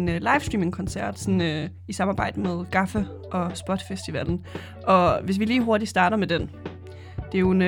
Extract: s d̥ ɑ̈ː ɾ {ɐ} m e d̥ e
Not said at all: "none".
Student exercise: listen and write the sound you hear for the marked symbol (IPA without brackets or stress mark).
ɐ